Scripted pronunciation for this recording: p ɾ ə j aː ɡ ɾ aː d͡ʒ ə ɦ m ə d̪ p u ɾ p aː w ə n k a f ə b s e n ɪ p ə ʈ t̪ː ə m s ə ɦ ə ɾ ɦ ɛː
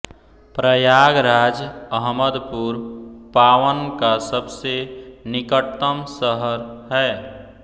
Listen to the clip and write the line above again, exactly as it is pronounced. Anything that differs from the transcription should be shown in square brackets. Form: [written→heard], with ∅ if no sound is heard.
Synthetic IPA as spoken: p ɾ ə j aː ɡ ɾ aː d͡ʒ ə ɦ m ə d̪ p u ɾ p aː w ə n k a [f→s] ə b s e n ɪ [p→k] ə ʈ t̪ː ə m s ə ɦ ə ɾ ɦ ɛː